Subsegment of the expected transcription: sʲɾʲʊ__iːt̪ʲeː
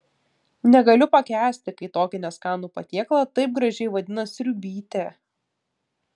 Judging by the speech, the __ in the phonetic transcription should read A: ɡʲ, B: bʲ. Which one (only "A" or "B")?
B